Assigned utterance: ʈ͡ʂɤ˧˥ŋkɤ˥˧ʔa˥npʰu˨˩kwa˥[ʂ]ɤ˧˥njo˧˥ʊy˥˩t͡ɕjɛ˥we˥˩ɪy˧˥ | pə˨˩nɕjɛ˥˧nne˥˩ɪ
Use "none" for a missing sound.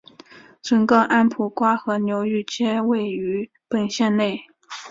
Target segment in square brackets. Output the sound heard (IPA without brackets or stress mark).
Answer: x